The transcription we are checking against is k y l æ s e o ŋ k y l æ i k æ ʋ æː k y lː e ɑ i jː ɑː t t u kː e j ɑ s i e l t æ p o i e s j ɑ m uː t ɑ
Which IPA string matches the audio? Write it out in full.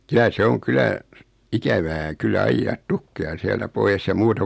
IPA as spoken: k y l æ s e o ŋ k y l æ i k æ ʋ æː k y lː æ ɑ i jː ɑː t t u kː e j ɑ s i æ l t æ p o i e s j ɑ m uː t ɑ